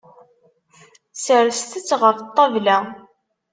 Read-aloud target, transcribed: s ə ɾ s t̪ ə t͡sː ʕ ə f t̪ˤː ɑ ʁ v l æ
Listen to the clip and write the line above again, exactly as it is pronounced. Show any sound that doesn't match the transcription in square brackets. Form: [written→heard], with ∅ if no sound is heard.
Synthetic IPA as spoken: s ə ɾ s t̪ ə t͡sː [ʕ→ʁ] ə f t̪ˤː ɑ [ʁ→∅] v l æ